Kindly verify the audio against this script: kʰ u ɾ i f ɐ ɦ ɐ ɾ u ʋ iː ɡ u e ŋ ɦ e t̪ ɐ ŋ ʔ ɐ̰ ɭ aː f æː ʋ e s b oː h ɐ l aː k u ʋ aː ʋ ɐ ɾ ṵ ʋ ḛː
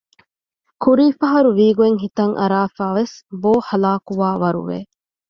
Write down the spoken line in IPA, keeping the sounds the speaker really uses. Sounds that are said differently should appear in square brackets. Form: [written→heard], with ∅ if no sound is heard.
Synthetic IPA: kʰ u ɾ [i→iː] f ɐ ɦ ɐ ɾ u ʋ iː ɡ u e ŋ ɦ [e→i] t̪ ɐ ŋ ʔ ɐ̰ [ɭ→ɾ] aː f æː ʋ e s b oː h ɐ l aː k u ʋ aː ʋ ɐ ɾ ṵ ʋ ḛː